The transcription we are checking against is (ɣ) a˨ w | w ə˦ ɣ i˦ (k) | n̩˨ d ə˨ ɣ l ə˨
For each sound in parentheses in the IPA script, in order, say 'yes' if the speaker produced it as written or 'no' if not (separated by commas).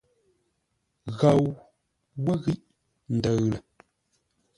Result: yes, no